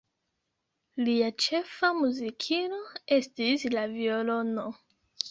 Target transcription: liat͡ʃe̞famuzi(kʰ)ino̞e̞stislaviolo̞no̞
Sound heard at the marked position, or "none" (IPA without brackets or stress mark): kʰ